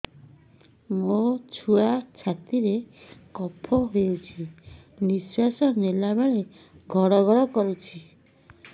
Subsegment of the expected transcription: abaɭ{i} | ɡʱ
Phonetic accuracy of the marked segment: incorrect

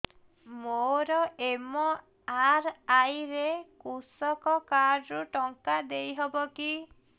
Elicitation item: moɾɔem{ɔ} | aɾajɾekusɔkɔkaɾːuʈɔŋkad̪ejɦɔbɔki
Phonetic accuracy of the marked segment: correct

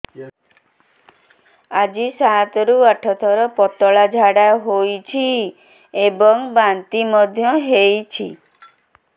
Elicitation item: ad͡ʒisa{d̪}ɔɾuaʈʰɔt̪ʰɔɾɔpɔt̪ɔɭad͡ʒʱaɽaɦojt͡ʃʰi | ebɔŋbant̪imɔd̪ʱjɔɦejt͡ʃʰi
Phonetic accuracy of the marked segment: incorrect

